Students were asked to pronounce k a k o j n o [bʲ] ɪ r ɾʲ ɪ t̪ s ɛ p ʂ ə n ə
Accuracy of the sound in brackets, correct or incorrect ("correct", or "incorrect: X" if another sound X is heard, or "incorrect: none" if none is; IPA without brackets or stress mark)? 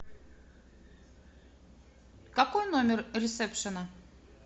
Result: incorrect: mʲ